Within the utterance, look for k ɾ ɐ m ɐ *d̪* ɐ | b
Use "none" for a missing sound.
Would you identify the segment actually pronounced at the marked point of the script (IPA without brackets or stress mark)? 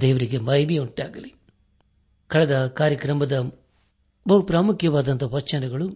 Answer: d̪